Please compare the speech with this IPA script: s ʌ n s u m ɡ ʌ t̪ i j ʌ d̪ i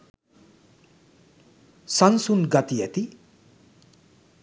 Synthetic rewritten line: s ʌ n s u n ɡ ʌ t̪ i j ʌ t̪ i

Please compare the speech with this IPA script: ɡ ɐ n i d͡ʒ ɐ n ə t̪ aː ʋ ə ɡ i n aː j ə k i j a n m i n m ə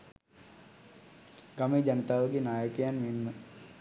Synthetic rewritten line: ɡ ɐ m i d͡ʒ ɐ n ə t̪ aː ʋ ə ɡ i n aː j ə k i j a n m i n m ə

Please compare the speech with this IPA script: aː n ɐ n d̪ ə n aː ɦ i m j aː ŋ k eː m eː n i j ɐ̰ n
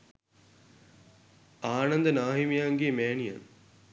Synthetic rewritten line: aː n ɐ n d̪ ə n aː ɦ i m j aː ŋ ɡ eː m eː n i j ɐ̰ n

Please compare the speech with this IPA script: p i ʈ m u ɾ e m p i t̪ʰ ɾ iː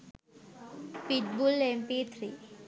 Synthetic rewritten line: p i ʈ b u l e m p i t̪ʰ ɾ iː

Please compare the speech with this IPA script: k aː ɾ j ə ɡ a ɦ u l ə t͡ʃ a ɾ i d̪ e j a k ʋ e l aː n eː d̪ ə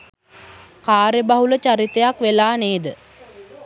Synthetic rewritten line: k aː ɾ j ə b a ɦ u l ə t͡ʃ a ɾ i t̪ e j a k ʋ e l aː n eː d̪ ə

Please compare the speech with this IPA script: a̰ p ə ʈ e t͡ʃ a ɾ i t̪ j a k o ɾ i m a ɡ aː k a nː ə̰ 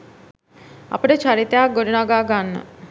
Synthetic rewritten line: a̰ p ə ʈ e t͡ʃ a ɾ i t̪ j a ɡ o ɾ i n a ɡ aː ɡ a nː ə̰

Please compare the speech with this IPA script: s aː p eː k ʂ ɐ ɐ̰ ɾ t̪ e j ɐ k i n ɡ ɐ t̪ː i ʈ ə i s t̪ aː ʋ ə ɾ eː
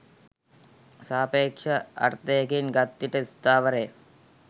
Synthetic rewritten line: s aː p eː k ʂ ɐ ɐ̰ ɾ t̪ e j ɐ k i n ɡ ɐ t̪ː i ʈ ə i s t̪ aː ʋ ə ɾ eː

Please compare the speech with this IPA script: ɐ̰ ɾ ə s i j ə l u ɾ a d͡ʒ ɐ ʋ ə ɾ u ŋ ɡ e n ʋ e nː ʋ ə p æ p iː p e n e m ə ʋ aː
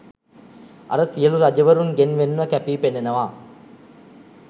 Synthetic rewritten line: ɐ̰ ɾ ə s i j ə l u ɾ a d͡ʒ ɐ ʋ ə ɾ u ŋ ɡ e n ʋ e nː ʋ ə k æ p iː p e n e n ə ʋ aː

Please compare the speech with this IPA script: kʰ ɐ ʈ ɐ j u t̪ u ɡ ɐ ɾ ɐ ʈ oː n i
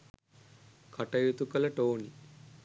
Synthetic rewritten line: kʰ ɐ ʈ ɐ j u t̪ u k ɐ l ɐ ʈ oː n i

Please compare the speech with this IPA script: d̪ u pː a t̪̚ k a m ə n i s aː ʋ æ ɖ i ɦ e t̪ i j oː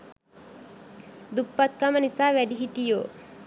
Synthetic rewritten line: d̪ u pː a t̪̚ k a m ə n i s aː ʋ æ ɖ i ɦ i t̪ i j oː

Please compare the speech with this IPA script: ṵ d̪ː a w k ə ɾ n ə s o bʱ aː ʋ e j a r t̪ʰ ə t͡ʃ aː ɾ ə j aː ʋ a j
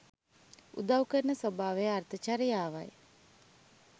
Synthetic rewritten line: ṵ d̪ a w k ə ɾ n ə s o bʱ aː ʋ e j a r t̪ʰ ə t͡ʃ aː ɾ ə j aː ʋ a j

